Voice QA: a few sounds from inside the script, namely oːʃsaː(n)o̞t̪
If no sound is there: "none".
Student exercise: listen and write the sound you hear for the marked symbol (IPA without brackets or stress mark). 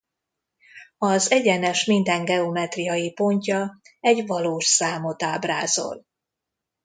m